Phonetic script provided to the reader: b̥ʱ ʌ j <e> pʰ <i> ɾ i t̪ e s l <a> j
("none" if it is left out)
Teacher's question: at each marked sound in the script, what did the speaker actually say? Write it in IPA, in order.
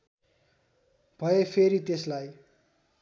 e, e, a

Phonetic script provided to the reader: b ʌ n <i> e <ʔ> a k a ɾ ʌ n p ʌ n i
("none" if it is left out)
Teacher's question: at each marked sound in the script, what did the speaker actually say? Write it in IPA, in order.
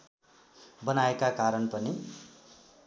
a, k

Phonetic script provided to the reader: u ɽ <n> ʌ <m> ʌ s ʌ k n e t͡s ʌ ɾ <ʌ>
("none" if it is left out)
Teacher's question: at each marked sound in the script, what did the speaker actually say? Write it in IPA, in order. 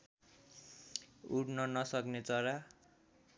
n, n, a

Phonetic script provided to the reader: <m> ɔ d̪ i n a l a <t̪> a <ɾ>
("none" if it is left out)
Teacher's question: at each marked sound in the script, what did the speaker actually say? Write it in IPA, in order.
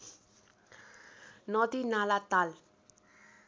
n, t̪, l

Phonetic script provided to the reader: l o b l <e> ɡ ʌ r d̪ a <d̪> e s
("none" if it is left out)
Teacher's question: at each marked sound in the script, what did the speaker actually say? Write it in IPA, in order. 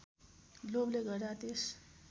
e, t̪

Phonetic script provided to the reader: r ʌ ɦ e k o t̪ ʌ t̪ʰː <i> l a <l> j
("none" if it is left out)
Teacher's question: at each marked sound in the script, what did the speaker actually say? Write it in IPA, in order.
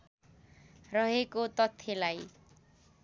e, none

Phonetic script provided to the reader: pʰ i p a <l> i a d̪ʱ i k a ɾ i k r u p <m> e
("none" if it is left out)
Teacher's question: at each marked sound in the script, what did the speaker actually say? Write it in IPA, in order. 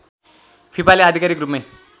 l, m

